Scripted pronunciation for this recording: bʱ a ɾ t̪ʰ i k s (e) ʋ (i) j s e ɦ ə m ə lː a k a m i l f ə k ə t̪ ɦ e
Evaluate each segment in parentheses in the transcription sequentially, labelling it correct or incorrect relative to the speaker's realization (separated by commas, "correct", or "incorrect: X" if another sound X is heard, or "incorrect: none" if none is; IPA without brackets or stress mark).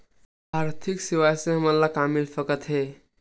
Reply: incorrect: i, incorrect: a